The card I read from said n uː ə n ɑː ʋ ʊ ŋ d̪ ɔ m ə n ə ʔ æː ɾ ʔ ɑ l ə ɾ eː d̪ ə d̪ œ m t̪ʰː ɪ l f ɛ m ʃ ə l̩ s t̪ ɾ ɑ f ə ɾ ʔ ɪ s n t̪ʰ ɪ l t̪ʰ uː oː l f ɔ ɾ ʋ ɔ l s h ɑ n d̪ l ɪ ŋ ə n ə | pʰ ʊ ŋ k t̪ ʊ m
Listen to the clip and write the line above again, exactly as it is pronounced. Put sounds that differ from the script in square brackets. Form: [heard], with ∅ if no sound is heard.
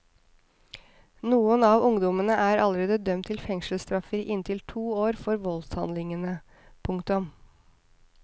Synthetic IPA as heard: n uː ə n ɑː ʋ ʊ ŋ d̪ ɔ m ə n ə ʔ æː ɾ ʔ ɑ l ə ɾ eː d̪ ə d̪ œ m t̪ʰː ɪ l f ɛ [ŋ] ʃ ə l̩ s t̪ ɾ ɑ f ə ɾ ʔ ɪ [∅] n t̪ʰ ɪ l t̪ʰ uː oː [ɾ] f ɔ ɾ ʋ ɔ l s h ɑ n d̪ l ɪ ŋ ə n ə | pʰ ʊ ŋ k t̪ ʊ m